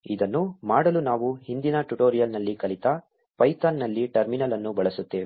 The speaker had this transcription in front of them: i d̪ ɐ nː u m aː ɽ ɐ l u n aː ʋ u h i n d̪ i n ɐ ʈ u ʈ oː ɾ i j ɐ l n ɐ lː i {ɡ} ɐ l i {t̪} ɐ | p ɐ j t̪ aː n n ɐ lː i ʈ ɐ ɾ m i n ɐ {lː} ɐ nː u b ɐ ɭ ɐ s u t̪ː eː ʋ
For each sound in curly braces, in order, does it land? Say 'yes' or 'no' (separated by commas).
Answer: no, yes, no